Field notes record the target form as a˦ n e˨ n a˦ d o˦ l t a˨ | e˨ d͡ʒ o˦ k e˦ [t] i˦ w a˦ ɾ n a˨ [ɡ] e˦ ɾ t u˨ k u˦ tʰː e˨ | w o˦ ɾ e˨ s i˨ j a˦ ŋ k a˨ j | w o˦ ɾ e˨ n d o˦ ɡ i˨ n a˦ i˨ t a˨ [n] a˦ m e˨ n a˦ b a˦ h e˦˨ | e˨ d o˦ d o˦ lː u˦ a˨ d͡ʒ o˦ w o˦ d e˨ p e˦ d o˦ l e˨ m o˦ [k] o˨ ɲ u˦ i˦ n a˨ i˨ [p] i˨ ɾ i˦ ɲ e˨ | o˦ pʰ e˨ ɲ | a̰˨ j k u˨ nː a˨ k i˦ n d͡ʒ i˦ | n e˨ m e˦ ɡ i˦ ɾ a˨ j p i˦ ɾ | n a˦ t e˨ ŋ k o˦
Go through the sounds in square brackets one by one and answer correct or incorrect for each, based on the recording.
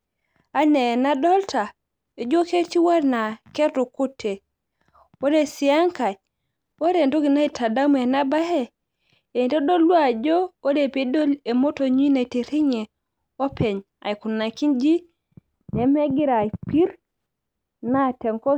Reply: correct, incorrect: k, incorrect: d, incorrect: t, incorrect: t

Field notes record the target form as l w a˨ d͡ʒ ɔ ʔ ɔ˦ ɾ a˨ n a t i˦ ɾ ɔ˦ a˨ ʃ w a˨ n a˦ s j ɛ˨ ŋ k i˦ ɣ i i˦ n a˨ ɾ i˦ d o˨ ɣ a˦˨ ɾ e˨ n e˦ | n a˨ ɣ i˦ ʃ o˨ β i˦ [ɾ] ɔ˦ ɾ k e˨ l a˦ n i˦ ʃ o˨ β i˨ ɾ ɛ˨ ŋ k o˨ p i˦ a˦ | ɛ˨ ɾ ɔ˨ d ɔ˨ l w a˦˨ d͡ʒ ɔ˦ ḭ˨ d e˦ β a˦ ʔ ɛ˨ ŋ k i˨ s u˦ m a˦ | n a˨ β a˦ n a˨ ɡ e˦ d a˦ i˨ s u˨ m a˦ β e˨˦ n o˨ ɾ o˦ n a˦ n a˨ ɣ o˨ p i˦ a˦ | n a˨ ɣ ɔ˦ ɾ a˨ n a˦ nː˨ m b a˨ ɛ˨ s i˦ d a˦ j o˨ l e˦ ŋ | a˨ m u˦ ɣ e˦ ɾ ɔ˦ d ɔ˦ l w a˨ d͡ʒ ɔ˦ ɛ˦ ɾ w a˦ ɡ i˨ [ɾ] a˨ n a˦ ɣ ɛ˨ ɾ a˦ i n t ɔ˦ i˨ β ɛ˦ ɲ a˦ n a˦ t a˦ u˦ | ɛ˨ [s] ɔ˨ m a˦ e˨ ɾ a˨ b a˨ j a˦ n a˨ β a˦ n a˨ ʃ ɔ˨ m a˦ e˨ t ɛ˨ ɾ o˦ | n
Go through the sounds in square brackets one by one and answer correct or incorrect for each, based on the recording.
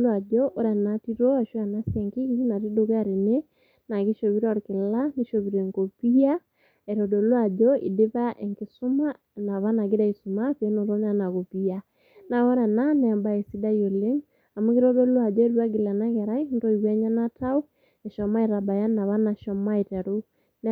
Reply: correct, incorrect: l, incorrect: ʃ

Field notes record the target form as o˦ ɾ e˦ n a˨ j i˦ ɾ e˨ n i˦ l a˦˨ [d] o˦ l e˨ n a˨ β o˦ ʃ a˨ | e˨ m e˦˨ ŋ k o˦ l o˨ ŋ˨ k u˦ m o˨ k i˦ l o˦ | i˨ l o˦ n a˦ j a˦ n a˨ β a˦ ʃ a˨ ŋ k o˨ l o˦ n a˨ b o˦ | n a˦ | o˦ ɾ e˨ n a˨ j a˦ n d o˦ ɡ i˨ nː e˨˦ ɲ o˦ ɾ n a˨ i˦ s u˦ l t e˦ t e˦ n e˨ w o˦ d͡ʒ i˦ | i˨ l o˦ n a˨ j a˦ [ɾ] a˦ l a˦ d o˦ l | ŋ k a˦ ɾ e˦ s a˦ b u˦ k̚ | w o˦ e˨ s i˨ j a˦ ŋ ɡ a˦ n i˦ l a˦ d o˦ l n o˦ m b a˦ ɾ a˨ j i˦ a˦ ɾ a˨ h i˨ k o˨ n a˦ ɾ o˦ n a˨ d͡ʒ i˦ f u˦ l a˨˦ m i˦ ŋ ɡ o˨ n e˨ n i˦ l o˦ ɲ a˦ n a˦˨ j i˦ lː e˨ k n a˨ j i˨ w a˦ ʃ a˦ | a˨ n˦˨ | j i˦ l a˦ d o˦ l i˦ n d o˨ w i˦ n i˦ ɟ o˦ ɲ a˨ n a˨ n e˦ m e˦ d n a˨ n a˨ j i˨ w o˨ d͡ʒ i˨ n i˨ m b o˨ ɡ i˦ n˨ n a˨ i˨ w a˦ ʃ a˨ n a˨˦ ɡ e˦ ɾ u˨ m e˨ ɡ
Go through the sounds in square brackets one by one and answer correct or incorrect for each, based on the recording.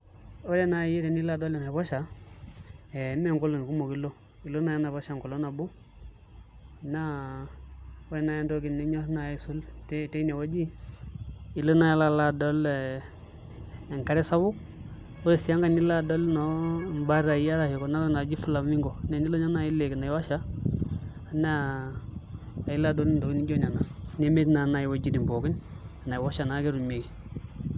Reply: correct, incorrect: l

